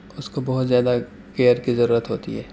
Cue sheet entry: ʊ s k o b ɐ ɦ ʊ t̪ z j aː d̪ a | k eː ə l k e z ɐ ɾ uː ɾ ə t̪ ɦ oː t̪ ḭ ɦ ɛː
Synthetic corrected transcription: ʊ s k o b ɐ ɦ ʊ t̪ z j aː d̪ a | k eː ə ɾ k i z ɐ ɾ uː ɾ ə t̪ ɦ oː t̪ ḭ ɦ ɛː